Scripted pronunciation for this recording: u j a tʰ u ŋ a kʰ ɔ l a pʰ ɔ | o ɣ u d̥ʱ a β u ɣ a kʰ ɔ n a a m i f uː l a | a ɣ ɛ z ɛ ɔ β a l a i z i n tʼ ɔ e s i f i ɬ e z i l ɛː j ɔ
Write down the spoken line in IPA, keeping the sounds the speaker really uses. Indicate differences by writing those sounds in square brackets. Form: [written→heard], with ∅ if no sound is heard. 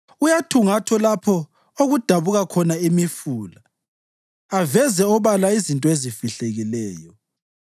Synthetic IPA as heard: u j a tʰ u ŋ a [kʰ→tʰ] ɔ l a pʰ ɔ | o ɣ u d̥ʱ a β u ɣ a kʰ ɔ n a [a→i] m i f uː l a | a [ɣ→v] ɛ z ɛ ɔ β a l a i z i n tʼ ɔ e [s→z] i f i ɬ e [z→ɣ] i l ɛː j ɔ